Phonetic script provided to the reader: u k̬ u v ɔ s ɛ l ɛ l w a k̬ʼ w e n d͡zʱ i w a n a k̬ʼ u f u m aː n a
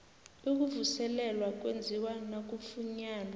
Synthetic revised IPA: u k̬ u v u s ɛ l ɛ l w a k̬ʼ w e n d͡zʱ i w a n a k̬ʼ u f u ɲ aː n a